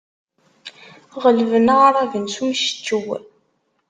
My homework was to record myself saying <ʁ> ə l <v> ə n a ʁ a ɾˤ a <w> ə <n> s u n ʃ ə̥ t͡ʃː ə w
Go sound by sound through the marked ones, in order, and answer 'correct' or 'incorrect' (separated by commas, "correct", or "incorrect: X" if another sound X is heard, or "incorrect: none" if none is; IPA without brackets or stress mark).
correct, correct, incorrect: v, correct